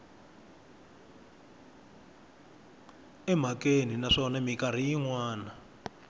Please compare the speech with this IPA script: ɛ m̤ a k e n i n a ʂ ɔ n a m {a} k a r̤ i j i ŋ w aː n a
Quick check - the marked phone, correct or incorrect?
incorrect